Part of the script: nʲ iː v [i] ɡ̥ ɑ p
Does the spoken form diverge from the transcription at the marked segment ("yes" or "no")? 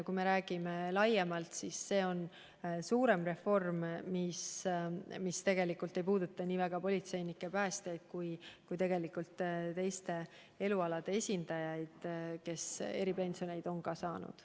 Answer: yes